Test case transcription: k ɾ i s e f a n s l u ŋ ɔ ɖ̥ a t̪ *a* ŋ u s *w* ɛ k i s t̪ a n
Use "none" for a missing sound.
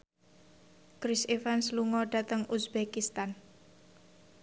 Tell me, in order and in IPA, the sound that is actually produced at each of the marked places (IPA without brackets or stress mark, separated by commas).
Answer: ə, b